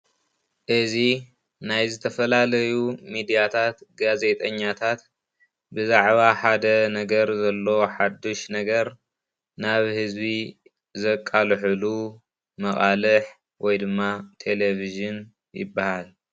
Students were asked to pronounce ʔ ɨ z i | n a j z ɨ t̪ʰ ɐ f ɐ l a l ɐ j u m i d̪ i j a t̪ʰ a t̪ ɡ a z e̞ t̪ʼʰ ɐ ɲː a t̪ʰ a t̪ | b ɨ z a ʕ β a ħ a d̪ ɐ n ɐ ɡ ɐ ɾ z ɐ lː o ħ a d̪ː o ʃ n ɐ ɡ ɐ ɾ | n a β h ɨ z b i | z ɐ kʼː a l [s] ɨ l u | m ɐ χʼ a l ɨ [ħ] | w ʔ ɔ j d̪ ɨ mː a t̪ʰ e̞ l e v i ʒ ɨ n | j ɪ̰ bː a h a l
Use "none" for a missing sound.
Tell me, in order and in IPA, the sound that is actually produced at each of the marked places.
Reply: ħ, ħ

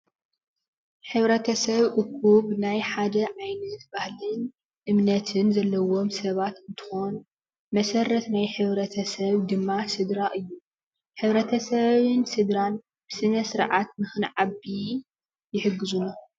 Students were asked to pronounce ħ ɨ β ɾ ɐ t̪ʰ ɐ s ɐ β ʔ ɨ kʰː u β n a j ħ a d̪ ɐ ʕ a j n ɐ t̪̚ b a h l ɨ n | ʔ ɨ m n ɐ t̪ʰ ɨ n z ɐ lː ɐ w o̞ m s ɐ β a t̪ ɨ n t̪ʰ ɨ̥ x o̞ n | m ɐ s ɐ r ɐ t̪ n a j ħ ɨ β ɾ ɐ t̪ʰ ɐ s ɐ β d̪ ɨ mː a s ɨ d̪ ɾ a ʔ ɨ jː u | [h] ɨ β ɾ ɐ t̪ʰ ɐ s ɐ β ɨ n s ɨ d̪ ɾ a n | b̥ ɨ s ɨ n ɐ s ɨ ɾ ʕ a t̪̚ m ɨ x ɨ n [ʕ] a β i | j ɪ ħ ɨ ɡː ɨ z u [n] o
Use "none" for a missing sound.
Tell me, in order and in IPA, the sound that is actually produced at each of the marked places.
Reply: ħ, ʕ, n

